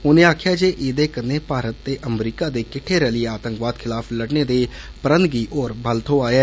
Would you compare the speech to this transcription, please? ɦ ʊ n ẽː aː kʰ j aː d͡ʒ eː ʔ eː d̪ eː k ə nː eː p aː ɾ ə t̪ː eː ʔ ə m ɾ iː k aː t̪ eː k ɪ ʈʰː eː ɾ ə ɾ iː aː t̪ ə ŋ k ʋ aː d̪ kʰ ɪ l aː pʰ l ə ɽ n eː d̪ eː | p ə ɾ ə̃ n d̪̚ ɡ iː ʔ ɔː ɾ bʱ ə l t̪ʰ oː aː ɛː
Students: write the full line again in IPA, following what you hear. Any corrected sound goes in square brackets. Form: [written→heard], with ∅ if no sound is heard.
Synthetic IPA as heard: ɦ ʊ n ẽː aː kʰ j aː d͡ʒ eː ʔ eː d̪ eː k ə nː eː p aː ɾ ə t̪ː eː ʔ ə m ɾ iː k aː [t̪→d̪] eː k ɪ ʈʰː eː ɾ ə [ɾ→l] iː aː t̪ ə ŋ k ʋ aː d̪ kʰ ɪ l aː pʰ l ə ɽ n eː d̪ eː | p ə ɾ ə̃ n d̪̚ ɡ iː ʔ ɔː ɾ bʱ ə l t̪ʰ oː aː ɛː

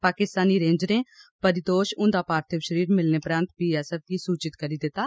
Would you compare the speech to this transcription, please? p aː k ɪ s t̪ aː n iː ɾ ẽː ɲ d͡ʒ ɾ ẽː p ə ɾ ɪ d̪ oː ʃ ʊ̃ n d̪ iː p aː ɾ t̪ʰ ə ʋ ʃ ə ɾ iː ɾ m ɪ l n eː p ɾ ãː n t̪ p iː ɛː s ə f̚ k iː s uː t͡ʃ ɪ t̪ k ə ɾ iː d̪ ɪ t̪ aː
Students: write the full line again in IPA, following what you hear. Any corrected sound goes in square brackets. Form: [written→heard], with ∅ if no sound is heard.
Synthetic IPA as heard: p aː k ɪ s t̪ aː n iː ɾ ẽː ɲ d͡ʒ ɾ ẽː p ə ɾ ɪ d̪ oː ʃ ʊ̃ n d̪ [iː→aː] p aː ɾ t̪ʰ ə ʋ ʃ ə ɾ iː ɾ m ɪ l n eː p ɾ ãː n t̪ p iː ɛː s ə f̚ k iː s uː t͡ʃ ɪ t̪ k ə ɾ iː d̪ ɪ t̪ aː

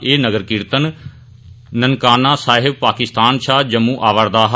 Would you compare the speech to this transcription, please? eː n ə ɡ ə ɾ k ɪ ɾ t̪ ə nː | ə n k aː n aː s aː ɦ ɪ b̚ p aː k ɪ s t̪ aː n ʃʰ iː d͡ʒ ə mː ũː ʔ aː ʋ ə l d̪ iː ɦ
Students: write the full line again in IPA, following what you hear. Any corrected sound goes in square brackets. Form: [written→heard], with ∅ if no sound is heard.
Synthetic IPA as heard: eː n ə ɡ ə ɾ k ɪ ɾ t̪ ə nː | ə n k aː n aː s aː ɦ ɪ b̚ p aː k ɪ s t̪ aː n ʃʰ [iː→aː] d͡ʒ ə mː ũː ʔ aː ʋ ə [l→ɾ] d̪ [iː→aː] ɦ

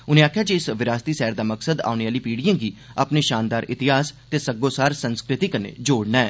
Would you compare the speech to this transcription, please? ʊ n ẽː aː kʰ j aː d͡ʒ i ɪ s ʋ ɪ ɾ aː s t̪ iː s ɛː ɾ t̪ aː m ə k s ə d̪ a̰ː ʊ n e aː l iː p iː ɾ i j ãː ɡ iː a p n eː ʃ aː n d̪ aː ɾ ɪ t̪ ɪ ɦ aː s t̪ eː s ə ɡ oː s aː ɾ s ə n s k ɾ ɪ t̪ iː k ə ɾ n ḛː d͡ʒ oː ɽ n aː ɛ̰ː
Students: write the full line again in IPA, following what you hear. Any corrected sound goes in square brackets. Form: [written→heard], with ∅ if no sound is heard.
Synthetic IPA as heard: ʊ n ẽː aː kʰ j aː d͡ʒ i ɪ s ʋ ɪ ɾ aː s t̪ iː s ɛː ɾ [t̪→d̪] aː m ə k s ə d̪ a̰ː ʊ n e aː l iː p iː [ɾ→ɽ] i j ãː ɡ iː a p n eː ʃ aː n d̪ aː ɾ ɪ t̪ ɪ ɦ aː s t̪ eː s ə ɡ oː s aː ɾ s ə n s k ɾ ɪ t̪ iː k ə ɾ n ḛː d͡ʒ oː ɽ n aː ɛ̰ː

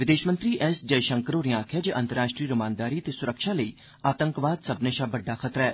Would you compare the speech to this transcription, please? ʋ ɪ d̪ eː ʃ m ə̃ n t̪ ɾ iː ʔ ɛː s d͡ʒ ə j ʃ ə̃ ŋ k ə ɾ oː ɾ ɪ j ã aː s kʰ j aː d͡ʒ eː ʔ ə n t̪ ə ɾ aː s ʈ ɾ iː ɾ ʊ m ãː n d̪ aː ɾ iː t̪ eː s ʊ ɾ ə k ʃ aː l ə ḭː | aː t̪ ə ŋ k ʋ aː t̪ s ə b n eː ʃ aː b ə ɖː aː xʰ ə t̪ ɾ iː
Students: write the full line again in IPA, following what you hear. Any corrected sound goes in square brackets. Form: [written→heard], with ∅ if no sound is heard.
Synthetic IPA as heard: ʋ ɪ d̪ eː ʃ m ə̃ n t̪ ɾ iː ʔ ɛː s d͡ʒ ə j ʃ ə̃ ŋ k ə ɾ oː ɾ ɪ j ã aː [s→∅] kʰ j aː d͡ʒ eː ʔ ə n t̪ ə ɾ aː [s→ʃ] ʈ ɾ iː ɾ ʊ m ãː n d̪ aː ɾ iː t̪ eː s ʊ ɾ ə k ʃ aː l ə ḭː | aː t̪ ə ŋ k ʋ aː [t̪→d̪] s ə b n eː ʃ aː b ə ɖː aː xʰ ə t̪ ɾ [iː→ɛː]

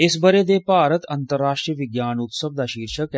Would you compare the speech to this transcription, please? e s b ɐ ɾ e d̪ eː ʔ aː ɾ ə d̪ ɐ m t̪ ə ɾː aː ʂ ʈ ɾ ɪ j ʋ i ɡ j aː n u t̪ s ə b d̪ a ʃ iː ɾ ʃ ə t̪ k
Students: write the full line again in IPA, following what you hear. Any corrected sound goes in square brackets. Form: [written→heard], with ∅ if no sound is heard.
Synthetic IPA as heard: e s b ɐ ɾ e d̪ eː [ʔ→p] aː ɾ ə [d̪→t̪] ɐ [m→n] t̪ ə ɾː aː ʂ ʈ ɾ [ɪ→i] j ʋ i ɡ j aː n u t̪ s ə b d̪ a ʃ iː ɾ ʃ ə [t̪→∅] k

